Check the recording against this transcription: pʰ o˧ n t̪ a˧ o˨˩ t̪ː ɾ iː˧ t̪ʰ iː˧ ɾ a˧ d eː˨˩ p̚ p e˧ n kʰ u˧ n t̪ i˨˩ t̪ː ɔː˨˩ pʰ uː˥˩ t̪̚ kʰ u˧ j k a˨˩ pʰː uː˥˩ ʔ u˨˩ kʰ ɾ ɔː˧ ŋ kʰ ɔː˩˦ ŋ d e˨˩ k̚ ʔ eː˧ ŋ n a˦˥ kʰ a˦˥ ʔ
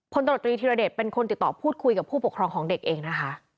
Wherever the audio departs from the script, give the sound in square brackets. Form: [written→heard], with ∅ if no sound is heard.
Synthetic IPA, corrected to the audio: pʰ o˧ n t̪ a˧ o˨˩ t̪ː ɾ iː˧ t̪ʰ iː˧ ɾ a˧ d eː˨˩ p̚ p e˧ n kʰ [u˧→o˧] n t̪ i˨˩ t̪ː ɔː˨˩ pʰ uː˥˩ t̪̚ kʰ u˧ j k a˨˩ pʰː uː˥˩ [ʔ→p] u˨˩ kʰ ɾ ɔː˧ ŋ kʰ ɔː˩˦ ŋ d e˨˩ k̚ ʔ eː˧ ŋ n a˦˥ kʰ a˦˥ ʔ

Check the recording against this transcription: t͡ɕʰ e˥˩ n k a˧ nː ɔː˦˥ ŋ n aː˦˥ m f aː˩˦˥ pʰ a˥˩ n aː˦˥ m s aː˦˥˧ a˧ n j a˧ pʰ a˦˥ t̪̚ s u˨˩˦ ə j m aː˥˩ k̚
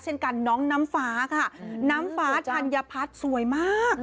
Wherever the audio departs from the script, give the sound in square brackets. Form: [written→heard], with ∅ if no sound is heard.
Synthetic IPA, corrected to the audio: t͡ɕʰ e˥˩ n k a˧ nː ɔː˦˥ ŋ n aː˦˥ m f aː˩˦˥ [pʰ→kʰ] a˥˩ n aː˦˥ m [s→f] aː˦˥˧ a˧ n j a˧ pʰ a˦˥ t̪̚ s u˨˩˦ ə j m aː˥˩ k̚

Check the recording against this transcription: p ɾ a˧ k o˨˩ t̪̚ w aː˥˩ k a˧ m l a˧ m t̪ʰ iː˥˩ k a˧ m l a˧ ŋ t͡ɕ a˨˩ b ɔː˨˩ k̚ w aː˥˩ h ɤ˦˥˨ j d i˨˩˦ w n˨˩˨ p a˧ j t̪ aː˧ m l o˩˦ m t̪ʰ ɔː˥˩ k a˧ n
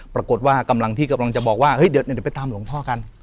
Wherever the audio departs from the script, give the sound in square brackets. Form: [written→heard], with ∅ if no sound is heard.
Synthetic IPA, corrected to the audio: p ɾ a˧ k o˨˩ t̪̚ w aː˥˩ k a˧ m l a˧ [m→ŋ] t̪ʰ iː˥˩ k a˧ m l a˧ ŋ t͡ɕ a˨˩ b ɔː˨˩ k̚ w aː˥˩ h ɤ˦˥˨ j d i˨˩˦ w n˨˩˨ p a˧ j t̪ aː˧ m l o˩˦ [m→ŋ] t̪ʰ ɔː˥˩ k a˧ n

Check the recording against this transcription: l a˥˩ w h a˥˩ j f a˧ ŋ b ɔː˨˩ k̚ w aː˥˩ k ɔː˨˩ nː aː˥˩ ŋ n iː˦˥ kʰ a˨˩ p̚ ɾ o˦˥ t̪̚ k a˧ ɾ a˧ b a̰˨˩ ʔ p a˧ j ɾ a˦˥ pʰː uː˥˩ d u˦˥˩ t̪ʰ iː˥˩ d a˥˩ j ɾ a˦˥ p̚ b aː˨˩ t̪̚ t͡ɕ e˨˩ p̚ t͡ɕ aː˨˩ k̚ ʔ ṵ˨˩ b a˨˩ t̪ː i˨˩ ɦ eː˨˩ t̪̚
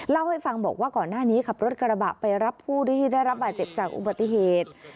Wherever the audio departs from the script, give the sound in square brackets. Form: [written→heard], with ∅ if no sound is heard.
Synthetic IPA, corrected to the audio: l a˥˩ w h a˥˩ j f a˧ ŋ b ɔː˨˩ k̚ w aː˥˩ k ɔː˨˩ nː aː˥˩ [ŋ→∅] n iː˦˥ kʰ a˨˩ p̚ ɾ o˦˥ t̪̚ k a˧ ɾ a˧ b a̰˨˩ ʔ p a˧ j ɾ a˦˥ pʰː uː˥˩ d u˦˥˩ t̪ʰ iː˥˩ d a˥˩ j ɾ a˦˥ p̚ b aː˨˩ t̪̚ t͡ɕ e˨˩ p̚ t͡ɕ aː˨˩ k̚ ʔ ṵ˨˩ b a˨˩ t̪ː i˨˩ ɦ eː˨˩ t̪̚

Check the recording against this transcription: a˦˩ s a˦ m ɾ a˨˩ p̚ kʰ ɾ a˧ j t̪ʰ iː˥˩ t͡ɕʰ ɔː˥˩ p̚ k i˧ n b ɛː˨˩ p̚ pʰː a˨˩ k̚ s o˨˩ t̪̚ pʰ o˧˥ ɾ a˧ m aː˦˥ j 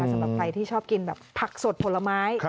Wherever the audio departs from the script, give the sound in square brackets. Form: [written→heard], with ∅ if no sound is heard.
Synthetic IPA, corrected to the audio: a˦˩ s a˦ m ɾ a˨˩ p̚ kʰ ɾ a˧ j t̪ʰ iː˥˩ t͡ɕʰ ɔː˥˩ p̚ k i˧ n b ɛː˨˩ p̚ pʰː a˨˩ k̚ s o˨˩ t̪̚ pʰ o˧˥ [ɾ→l] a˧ m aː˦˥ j

